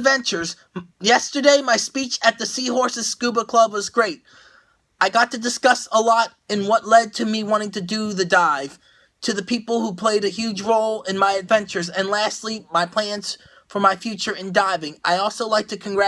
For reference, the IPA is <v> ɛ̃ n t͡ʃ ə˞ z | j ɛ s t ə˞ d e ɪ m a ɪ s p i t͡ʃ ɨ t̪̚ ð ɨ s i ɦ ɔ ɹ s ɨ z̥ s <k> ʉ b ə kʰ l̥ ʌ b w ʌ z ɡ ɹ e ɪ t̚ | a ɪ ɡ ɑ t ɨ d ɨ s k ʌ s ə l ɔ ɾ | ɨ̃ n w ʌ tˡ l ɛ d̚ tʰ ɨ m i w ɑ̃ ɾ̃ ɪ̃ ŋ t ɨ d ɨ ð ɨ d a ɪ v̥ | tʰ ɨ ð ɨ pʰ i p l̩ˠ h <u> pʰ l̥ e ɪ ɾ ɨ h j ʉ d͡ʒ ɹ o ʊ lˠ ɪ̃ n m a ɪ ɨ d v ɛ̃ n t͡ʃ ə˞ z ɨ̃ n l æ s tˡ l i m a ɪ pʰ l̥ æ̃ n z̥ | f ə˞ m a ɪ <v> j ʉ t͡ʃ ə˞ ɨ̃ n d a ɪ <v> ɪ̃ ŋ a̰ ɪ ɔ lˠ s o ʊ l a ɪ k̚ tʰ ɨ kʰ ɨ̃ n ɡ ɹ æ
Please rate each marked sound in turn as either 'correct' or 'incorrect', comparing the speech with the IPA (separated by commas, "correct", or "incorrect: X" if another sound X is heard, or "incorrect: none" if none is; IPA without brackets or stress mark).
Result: correct, correct, correct, incorrect: f, correct